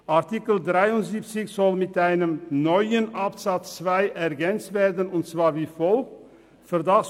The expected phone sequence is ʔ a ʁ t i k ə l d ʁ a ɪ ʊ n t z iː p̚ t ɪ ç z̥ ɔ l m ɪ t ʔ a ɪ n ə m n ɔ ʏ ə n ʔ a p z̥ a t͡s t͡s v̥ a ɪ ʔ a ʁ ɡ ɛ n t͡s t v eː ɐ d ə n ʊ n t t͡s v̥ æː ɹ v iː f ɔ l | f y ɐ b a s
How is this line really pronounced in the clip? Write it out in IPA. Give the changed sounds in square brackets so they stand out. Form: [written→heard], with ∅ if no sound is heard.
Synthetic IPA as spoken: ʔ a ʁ t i k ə l d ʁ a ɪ ʊ n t z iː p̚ [t→t͡s] ɪ ç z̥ ɔ l m ɪ t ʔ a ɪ n ə m n ɔ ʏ ə n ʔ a p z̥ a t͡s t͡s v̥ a ɪ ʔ [a→ɛ] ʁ ɡ ɛ n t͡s t v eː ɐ d ə n ʊ n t t͡s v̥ [æː→aː] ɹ v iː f ɔ l | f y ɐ [b→d] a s